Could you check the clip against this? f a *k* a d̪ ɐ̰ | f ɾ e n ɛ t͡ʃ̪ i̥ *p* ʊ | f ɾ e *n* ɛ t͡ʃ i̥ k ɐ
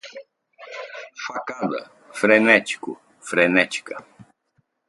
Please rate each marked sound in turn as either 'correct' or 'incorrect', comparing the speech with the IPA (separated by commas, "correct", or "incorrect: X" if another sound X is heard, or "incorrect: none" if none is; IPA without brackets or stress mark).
correct, incorrect: k, correct